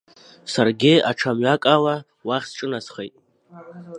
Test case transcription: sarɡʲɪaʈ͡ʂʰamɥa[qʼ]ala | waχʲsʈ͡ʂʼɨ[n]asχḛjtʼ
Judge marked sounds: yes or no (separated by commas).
no, yes